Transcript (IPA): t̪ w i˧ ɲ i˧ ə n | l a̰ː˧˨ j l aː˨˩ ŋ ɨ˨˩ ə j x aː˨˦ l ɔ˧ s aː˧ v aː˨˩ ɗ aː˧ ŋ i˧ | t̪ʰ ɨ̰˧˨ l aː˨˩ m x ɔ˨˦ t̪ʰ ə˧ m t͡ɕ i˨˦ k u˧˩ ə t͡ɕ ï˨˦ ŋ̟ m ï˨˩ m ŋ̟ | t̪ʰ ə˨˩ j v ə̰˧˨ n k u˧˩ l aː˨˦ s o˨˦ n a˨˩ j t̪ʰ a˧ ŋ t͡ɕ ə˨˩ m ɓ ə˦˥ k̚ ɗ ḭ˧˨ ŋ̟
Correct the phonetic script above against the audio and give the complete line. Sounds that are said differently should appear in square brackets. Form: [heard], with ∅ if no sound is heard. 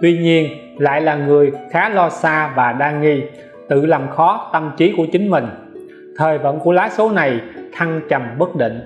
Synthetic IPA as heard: t̪ w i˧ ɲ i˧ ə n | l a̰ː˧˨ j l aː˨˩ ŋ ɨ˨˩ ə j x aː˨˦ l ɔ˧ s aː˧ v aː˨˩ ɗ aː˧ ŋ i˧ | [t̪] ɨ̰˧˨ l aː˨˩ m x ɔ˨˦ [t̪] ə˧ m t͡ɕ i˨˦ k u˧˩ ə t͡ɕ ï˨˦ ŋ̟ m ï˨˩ [∅] ŋ̟ | t̪ʰ [əː˨˩] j v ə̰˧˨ n k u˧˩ l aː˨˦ s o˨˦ n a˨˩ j t̪ʰ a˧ ŋ t͡ɕ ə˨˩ m ɓ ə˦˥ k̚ ɗ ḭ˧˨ ŋ̟